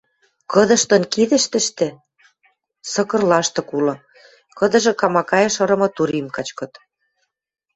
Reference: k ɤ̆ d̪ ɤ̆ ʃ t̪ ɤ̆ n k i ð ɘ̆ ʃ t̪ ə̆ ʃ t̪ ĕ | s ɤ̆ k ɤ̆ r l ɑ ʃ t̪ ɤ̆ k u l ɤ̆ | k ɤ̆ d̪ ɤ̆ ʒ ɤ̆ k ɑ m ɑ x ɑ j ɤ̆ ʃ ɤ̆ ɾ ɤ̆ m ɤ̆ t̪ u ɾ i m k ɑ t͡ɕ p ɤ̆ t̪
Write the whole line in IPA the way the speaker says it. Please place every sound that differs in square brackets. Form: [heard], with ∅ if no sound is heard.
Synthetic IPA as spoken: k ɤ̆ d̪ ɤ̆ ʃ t̪ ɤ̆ n k i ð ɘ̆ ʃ t̪ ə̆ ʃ t̪ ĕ | s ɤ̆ k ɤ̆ r l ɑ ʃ t̪ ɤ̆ k u l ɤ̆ | k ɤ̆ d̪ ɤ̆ ʒ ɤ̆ k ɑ m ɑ [k] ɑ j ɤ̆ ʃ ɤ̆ ɾ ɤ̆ m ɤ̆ t̪ u ɾ i m k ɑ t͡ɕ [k] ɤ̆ t̪

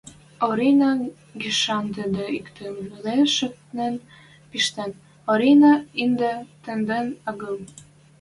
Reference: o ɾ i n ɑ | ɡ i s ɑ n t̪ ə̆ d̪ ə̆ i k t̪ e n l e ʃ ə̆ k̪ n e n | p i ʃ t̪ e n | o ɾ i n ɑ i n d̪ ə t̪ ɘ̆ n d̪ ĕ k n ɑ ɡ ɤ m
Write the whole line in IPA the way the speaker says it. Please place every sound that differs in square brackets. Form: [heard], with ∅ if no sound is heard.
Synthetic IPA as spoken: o ɾ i n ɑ | ɡ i [ʃ] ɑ n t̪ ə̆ d̪ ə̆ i k t̪ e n l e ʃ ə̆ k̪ n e n | p i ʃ t̪ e n | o ɾ i n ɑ i n d̪ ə t̪ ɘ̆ n d̪ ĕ [∅] n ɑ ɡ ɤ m

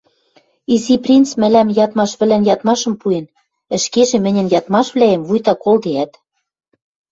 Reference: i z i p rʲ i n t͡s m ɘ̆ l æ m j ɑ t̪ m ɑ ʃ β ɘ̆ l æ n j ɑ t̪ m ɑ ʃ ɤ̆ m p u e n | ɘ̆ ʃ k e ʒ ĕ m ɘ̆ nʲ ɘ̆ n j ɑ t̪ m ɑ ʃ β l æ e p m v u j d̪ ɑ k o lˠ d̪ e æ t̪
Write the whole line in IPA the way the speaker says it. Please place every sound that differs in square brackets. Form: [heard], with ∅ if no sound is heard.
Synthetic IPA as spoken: i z i p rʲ i n t͡s m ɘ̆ l æ m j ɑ t̪ m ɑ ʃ β ɘ̆ l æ n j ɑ t̪ m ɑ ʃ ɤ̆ m p u e n | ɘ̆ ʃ k e ʒ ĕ m ɘ̆ nʲ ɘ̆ n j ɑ t̪ m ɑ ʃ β l æ e [∅] m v u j [t̪] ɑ k o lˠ d̪ e æ t̪

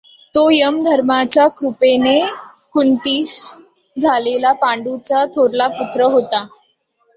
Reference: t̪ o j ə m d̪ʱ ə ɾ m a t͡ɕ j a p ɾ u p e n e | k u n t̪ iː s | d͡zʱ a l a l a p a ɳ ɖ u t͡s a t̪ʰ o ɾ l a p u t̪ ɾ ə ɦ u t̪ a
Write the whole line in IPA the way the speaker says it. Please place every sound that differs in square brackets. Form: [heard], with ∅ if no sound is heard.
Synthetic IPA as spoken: t̪ o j ə m d̪ʱ ə ɾ m a t͡ɕ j a [k] ɾ u p e n e | k u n t̪ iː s | d͡zʱ a l [e] l a p a ɳ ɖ u t͡s a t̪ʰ o ɾ l a p u t̪ ɾ ə ɦ [o] t̪ a

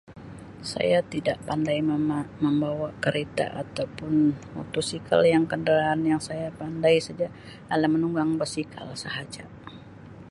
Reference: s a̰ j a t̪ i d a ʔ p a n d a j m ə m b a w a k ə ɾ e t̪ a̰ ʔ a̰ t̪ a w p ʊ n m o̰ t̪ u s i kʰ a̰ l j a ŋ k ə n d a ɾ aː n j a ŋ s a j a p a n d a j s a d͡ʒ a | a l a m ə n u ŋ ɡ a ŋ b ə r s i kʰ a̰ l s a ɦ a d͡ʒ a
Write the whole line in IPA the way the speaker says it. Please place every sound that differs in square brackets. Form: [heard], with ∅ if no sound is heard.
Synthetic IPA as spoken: s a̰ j a t̪ i d a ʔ p a n d a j m ə m b a w a k ə ɾ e t̪ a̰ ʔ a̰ t̪ a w p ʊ n m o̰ t̪ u s i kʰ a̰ l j a ŋ k ə n d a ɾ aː n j a ŋ s a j a p a n d a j s a d͡ʒ a | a l a m ə n u ŋ ɡ a ŋ b ə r s i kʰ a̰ l s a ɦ a d͡ʒ a

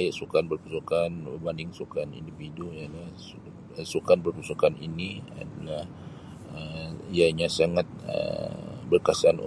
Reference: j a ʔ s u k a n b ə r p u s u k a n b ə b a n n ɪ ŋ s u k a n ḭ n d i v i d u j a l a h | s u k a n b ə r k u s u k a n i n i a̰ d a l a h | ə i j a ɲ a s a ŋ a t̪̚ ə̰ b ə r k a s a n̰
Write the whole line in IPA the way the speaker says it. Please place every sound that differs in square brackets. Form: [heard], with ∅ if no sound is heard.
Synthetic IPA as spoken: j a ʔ s u k a n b ə r p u s u k a n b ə b a n [d] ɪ ŋ s u k a n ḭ n d i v i d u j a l a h | s u k a n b ə r [p] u s u k a n i n i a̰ d a l a h | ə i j a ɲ a s a ŋ a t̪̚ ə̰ b ə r k a s a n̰

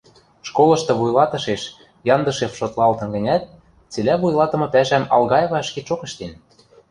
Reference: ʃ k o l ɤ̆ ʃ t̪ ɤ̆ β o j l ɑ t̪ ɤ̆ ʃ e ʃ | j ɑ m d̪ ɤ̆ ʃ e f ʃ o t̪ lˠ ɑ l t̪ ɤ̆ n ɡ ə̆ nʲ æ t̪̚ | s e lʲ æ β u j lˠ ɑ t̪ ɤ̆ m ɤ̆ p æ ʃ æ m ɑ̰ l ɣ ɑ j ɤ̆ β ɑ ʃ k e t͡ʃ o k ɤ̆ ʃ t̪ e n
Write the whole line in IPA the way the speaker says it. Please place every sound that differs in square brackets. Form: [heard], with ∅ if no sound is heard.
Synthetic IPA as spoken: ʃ k o l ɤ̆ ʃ t̪ ɤ̆ β [u] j l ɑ t̪ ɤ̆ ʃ e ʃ | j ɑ [n] d̪ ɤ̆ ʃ e f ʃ o t̪ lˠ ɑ l t̪ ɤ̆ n ɡ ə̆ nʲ æ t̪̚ | [t͡s] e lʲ æ β u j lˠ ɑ t̪ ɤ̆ m ɤ̆ p æ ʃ æ m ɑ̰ l ɣ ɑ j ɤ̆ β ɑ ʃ k e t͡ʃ o k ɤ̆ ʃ t̪ e n

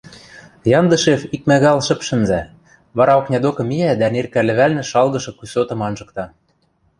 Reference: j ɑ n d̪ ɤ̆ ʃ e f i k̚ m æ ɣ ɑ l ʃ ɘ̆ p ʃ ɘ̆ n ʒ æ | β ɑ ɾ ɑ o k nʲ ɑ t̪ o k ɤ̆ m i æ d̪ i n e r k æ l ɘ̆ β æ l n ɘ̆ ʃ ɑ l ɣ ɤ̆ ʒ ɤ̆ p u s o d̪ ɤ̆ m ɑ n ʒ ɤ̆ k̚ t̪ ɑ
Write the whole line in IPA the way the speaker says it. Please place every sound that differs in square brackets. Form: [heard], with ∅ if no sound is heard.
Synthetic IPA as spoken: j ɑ n d̪ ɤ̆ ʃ e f i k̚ m æ ɣ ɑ l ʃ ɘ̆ p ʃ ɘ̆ n [z] æ | β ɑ ɾ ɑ o k nʲ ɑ [d̪] o k ɤ̆ m i æ d̪ [æ] n e r k æ l ɘ̆ β æ l n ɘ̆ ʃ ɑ l ɣ ɤ̆ [ʃ] ɤ̆ [k] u s o [t̪] ɤ̆ m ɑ n ʒ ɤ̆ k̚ t̪ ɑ

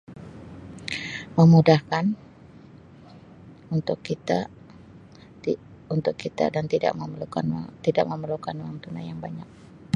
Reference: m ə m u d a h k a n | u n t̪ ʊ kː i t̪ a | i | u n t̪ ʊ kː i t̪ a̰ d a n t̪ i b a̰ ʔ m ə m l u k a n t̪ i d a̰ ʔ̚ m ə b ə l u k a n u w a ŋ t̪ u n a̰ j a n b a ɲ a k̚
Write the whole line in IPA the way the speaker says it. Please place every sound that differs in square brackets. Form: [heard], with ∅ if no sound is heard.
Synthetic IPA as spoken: m ə m u d a h k a n | u n t̪ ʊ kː i t̪ a | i | u n t̪ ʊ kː i t̪ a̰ d a n t̪ i [d] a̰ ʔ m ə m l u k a n t̪ i d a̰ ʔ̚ m ə [m] ə l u k a n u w a ŋ t̪ u n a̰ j a [ŋ] b a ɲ a k̚

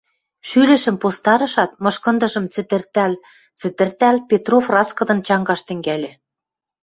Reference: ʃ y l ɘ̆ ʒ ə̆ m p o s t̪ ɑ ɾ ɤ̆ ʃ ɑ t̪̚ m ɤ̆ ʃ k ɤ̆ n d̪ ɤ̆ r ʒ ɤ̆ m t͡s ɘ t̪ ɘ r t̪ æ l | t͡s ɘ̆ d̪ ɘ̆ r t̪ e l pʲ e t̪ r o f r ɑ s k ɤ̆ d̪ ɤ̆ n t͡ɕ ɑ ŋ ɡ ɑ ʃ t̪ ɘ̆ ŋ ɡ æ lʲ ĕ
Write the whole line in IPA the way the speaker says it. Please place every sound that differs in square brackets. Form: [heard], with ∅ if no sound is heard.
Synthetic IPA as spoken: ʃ y l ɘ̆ [ʃ] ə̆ m p o s t̪ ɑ ɾ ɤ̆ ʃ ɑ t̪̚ m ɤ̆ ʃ k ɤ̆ n d̪ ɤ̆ [∅] ʒ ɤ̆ m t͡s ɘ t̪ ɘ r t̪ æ l | t͡s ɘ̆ [t̪] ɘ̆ r t̪ [æ] l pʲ e t̪ r o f r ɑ s k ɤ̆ d̪ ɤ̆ n t͡ɕ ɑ ŋ ɡ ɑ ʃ t̪ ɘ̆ ŋ ɡ æ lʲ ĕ

